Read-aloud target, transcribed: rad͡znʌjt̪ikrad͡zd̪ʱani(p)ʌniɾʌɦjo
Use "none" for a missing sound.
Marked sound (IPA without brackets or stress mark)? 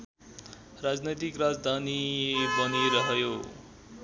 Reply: b